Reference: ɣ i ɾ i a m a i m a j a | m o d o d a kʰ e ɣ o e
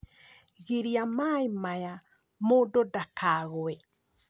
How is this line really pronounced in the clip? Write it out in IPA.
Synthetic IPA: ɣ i ɾ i a m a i m a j a | m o d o d a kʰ a ɣ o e